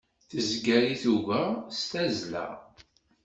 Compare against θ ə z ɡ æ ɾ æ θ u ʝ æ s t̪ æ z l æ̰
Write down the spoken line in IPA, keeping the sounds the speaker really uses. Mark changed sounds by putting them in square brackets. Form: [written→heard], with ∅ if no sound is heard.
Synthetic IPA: θ ə z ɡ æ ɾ [æ→i] θ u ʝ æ s t̪ æ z l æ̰

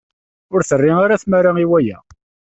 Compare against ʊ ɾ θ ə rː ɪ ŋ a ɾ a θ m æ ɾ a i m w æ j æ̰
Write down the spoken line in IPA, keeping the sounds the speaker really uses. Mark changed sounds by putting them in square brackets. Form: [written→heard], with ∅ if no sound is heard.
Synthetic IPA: ʊ ɾ θ ə rː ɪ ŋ a ɾ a θ m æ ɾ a i [m→∅] w æ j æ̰

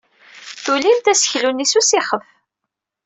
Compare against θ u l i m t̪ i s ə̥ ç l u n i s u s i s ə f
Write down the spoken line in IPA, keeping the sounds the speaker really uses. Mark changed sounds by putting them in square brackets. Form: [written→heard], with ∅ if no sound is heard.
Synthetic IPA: θ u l i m t̪ [i→æ] s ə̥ ç l u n i s u s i [s→χ] ə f

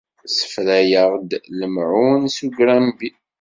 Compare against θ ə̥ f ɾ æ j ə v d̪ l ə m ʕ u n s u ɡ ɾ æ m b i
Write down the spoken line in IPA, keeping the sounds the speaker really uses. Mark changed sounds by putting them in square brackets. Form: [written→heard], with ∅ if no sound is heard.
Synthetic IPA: [θ→s] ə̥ f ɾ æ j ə [v→ʁ] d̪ l ə m ʕ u n s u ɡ ɾ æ m b i

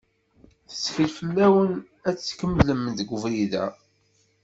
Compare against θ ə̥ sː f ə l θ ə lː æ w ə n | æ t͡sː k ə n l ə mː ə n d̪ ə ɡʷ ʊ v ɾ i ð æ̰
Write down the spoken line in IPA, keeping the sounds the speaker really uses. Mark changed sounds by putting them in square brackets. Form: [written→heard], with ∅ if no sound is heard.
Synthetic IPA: θ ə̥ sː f ə l [θ→f] ə lː æ w ə n | æ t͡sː k ə [n→m] l ə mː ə n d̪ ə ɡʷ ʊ v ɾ i ð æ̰

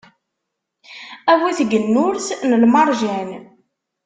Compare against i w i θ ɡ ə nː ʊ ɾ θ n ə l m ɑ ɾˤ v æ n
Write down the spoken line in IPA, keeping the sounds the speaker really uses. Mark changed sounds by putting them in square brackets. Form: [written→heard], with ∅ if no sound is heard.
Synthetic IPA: [i→æ] w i θ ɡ ə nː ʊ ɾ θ n ə l m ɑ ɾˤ [v→ʒ] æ n

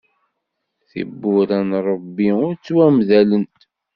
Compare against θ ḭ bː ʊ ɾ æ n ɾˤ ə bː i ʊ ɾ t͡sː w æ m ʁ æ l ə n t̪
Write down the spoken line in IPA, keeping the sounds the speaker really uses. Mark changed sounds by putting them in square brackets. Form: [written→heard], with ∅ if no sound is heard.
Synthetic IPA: θ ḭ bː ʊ ɾ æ n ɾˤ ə bː i ʊ ɾ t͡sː w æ m [ʁ→ð] æ l ə n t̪

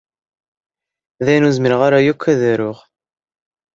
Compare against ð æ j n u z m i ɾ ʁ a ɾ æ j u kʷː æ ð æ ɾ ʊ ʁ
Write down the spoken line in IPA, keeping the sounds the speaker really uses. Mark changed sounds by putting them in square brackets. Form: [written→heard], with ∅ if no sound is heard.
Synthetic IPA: ð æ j n u z m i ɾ ʁ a ɾ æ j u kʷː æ ð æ ɾ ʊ ʁ

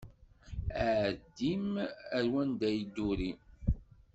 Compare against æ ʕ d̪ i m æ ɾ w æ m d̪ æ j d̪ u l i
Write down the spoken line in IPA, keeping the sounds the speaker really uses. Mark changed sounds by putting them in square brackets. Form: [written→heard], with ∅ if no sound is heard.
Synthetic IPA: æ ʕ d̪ i m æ ɾ w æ [m→n] d̪ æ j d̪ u [l→ɾ] i

